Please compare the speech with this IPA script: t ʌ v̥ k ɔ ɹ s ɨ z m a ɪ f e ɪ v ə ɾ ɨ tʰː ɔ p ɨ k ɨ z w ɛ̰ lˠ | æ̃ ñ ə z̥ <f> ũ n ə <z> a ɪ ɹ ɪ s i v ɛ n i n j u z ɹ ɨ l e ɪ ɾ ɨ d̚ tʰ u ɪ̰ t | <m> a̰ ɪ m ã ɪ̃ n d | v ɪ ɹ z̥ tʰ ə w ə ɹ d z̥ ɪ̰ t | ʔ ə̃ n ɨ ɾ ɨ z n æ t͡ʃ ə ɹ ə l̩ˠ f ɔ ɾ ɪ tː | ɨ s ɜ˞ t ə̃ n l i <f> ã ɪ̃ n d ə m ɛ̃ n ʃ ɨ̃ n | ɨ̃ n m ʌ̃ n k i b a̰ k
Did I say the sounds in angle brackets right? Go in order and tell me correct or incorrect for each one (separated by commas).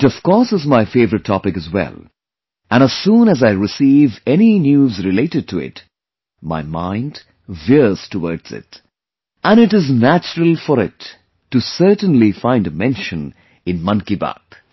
incorrect, correct, correct, correct